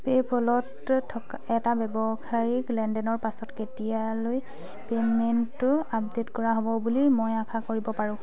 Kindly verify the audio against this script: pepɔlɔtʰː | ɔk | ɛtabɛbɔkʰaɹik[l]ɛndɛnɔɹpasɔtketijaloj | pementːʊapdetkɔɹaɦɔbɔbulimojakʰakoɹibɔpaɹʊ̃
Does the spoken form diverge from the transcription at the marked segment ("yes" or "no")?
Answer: no